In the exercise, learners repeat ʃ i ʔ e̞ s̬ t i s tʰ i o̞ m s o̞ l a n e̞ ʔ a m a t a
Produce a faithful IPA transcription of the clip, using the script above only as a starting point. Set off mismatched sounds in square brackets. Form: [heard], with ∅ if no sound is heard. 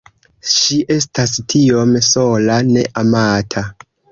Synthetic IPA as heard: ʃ i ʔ e̞ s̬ t [a] s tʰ i o̞ m s o̞ l a n e̞ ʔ a m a [tʰ] a